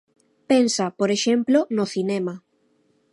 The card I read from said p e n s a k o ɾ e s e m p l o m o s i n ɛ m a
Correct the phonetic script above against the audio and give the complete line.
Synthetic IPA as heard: p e n s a p o ɾ e ʃ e m p l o n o θ i n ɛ m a